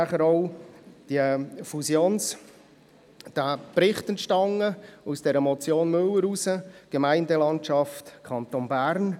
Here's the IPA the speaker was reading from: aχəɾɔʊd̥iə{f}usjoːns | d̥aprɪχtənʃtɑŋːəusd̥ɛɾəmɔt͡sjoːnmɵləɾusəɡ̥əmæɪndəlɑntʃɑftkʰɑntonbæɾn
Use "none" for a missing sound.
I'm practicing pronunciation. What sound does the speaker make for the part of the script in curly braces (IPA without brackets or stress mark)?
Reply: f